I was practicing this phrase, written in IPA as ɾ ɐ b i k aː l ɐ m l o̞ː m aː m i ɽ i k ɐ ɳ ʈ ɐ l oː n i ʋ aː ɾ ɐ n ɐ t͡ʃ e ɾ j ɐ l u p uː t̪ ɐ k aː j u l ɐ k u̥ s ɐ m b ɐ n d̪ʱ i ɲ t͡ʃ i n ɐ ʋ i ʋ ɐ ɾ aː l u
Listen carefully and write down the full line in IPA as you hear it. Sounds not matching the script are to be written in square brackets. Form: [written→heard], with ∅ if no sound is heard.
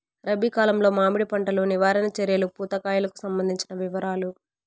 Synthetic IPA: ɾ ɐ b i k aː l ɐ m l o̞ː m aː m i ɽ i [k→p] ɐ ɳ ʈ ɐ l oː n i ʋ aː ɾ ɐ n ɐ t͡ʃ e ɾ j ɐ l u p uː t̪ ɐ k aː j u l ɐ k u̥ s ɐ m b ɐ n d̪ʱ i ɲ t͡ʃ i n ɐ ʋ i ʋ ɐ ɾ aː l u

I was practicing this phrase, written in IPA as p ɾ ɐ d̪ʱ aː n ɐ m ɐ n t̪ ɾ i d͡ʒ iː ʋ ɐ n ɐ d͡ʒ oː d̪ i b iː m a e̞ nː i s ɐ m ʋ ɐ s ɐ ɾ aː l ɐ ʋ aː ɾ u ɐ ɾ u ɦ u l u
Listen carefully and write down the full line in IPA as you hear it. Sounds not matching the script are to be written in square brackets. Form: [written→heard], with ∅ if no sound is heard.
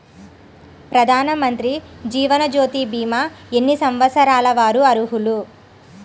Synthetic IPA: p ɾ ɐ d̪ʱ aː n ɐ m ɐ n t̪ ɾ i d͡ʒ iː ʋ ɐ n ɐ d͡ʒ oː [d̪→t̪] i b iː m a e̞ nː i s ɐ m ʋ ɐ s ɐ ɾ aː l ɐ ʋ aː ɾ u ɐ ɾ u ɦ u l u

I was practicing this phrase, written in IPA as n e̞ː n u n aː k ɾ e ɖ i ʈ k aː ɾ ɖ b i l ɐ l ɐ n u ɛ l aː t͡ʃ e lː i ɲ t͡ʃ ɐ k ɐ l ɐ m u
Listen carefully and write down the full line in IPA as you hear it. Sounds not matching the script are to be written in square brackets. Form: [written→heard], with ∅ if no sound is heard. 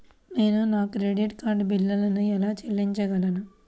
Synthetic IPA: n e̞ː n u n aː k ɾ e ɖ i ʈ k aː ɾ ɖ b i [l→lː] ɐ l ɐ n u ɛ l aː t͡ʃ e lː i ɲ t͡ʃ ɐ [k→ɡ] ɐ l ɐ [m→n] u

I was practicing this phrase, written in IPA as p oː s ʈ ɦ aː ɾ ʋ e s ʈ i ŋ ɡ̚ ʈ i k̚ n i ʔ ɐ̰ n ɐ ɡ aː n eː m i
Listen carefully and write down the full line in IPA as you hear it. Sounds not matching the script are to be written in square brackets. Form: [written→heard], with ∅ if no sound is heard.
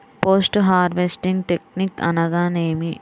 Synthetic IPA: p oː s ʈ ɦ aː ɾ ʋ e s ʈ i ŋ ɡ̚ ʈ [i→e] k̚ n i [ʔ→k] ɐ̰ n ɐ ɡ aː n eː m i

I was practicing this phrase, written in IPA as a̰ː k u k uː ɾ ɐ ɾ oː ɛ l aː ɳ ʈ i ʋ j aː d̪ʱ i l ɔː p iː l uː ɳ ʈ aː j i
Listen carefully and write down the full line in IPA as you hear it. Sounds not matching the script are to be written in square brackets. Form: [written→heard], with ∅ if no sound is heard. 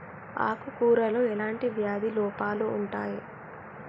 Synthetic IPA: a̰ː k u k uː ɾ ɐ [ɾ→l] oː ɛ l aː ɳ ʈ i ʋ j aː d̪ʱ i l ɔː p [iː→aː] l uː ɳ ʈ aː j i

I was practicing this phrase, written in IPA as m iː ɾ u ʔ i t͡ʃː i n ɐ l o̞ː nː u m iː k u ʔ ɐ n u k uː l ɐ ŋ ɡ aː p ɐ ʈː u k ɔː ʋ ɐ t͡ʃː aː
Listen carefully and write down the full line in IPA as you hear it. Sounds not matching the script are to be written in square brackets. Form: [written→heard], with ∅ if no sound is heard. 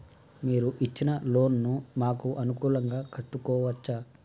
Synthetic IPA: m iː ɾ u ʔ i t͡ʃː i n ɐ l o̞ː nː u m [iː→aː] k u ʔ ɐ n u k uː l ɐ ŋ ɡ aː [p→k] ɐ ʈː u k ɔː ʋ ɐ t͡ʃː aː

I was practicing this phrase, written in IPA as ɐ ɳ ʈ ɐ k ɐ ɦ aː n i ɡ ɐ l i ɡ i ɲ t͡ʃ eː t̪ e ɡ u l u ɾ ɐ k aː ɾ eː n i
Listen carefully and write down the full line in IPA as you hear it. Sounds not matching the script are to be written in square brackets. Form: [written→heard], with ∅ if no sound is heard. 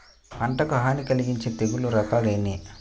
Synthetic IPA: ɐ ɳ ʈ ɐ k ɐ ɦ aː n i [ɡ→k] ɐ l i ɡ i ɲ t͡ʃ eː t̪ e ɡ u l u ɾ ɐ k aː [ɾ→l] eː n i

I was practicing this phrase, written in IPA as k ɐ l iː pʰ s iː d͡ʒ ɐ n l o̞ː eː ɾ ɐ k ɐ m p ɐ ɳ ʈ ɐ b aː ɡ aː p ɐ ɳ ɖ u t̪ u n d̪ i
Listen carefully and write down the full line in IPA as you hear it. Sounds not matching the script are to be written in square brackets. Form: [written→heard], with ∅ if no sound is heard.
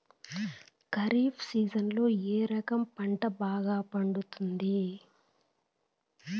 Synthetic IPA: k ɐ [l→ɾ] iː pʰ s iː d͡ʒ ɐ n l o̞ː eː ɾ ɐ k ɐ m p ɐ ɳ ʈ ɐ b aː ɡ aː p ɐ ɳ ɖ u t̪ u n d̪ i

